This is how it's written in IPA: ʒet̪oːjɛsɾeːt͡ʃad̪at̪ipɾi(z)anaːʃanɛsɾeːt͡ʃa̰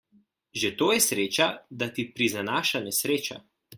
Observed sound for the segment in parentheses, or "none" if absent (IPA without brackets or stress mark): z